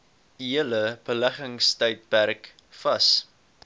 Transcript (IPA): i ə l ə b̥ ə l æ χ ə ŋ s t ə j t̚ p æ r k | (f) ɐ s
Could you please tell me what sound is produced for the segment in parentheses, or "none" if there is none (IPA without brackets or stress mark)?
f